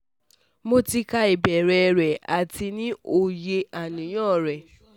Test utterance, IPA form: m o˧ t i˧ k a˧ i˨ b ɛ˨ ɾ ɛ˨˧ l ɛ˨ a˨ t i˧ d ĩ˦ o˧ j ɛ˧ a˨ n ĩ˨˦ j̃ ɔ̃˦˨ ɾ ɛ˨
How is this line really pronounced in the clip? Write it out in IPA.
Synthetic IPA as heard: m o˧ t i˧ k a˧ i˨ b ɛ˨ ɾ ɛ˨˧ ɾ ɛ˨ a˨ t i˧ n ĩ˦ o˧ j e˧ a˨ n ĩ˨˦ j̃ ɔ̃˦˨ ɾ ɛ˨